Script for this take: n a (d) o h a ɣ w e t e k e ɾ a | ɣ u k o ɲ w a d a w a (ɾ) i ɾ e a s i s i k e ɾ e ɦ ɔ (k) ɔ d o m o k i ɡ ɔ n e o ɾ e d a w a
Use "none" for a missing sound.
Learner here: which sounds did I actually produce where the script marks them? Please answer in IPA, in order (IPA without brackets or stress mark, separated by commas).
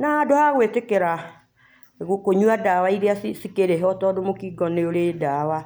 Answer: d, none, t